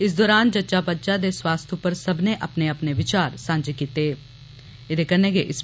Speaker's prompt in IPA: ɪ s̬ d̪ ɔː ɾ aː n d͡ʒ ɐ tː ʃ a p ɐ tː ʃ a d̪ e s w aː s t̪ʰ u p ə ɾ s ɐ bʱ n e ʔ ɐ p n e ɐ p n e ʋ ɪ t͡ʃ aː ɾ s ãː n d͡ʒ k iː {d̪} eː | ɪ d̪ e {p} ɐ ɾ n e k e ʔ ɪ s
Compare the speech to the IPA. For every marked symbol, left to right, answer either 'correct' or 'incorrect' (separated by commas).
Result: incorrect, incorrect